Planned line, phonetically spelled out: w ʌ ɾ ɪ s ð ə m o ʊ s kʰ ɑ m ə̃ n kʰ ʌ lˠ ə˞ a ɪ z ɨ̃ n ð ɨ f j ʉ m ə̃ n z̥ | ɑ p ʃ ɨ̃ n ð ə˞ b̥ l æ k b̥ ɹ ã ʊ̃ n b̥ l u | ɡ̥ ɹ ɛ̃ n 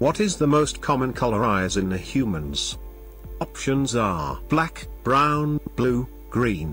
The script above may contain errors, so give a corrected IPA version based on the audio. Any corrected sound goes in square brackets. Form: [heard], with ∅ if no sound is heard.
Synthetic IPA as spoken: w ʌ ɾ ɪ [z] ð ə m o ʊ s kʰ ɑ m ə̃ n kʰ ʌ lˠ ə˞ a ɪ z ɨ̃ n ð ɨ [h] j ʉ m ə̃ n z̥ | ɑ p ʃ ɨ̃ n [z] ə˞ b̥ l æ k b̥ ɹ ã ʊ̃ n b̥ l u | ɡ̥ ɹ [ĩ] n